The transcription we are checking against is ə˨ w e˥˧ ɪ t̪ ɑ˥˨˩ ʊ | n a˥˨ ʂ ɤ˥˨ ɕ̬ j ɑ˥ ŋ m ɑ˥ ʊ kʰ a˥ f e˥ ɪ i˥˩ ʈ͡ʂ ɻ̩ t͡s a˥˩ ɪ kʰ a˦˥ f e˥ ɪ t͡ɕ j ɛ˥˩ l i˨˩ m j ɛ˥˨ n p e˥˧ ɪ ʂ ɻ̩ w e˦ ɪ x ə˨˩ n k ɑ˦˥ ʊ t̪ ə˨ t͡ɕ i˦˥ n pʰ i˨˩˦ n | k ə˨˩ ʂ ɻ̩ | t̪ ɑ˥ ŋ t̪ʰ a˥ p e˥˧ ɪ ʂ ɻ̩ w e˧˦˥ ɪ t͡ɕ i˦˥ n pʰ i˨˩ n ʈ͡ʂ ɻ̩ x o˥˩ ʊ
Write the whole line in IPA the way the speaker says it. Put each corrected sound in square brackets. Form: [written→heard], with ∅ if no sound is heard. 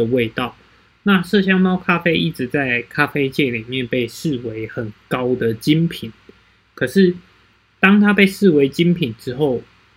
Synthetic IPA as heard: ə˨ w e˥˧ ɪ t̪ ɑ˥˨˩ ʊ | n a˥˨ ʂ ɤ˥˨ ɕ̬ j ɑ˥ ŋ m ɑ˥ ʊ kʰ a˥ f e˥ ɪ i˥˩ ʈ͡ʂ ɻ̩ t͡s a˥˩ ɪ kʰ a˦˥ f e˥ ɪ t͡ɕ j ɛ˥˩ l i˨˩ m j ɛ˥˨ n p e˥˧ ɪ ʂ ɻ̩ w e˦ ɪ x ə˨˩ n k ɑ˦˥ ʊ [t̪→d̪] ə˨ t͡ɕ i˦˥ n pʰ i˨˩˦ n | [k→kʰ] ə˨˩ ʂ ɻ̩ | t̪ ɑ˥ ŋ t̪ʰ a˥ p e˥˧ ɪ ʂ ɻ̩ w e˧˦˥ ɪ t͡ɕ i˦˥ n pʰ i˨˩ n ʈ͡ʂ ɻ̩ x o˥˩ ʊ